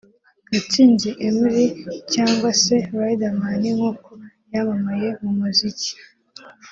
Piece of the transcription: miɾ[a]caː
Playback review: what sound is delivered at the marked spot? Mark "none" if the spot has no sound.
i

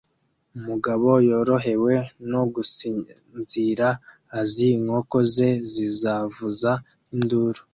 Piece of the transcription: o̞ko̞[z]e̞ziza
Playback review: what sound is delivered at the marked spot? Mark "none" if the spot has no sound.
z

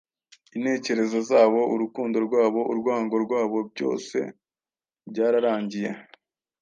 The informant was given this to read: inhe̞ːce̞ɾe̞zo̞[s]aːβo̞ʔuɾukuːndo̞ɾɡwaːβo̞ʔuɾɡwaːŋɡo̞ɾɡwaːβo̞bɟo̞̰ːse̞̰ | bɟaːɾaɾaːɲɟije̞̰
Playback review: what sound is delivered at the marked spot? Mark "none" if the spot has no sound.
z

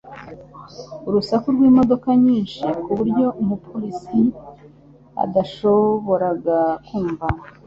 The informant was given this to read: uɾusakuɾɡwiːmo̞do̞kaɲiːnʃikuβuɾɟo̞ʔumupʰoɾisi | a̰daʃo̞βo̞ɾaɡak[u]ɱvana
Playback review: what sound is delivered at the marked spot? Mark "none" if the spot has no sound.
uː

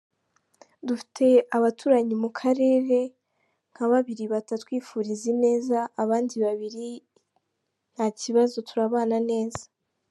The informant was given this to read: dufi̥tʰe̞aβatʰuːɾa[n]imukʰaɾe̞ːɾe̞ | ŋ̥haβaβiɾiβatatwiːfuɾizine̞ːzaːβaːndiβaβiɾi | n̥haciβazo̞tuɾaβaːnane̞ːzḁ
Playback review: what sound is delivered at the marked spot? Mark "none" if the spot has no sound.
ɲ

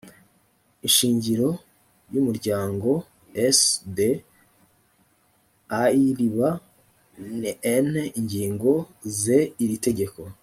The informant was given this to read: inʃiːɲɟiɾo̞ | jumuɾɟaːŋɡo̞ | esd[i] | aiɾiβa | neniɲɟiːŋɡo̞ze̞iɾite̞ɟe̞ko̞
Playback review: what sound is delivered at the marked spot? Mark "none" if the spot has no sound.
e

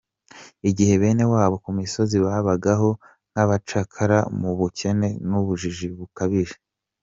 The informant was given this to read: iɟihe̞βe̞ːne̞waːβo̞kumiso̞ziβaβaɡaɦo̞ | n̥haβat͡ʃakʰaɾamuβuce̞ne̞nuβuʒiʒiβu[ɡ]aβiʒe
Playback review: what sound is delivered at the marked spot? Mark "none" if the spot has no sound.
k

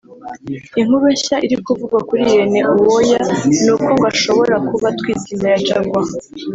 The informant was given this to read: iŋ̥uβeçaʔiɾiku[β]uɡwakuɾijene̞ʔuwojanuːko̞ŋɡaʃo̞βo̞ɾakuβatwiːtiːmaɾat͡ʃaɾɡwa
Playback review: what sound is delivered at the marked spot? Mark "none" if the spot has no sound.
v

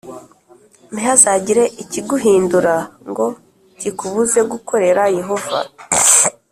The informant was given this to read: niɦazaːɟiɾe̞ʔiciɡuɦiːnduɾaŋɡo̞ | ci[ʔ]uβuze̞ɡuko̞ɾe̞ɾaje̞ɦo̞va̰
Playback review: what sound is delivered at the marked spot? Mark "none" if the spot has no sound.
k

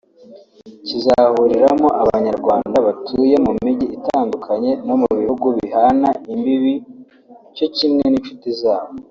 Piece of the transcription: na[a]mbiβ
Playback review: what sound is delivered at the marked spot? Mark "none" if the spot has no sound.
i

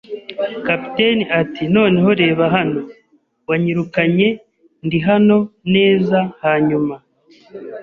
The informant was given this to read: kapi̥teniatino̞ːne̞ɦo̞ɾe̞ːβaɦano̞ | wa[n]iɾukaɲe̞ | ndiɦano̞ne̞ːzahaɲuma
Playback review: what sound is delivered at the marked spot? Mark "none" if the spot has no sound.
ɲ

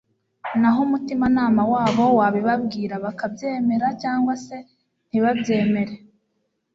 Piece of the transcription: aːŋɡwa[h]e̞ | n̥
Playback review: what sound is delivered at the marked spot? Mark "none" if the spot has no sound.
s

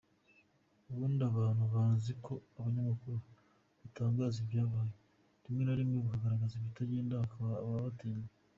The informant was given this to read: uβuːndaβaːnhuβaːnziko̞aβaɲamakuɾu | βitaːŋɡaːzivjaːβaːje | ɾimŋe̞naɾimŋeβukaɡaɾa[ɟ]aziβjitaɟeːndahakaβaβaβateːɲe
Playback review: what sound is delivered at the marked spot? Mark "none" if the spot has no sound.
ɡ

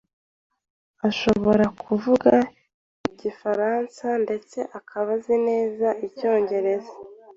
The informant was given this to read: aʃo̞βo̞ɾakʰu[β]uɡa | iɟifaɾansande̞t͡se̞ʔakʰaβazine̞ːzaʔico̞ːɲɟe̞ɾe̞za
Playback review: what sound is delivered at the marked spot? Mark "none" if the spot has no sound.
v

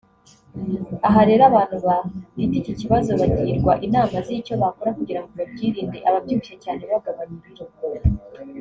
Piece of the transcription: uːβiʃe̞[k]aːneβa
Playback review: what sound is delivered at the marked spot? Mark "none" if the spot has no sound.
c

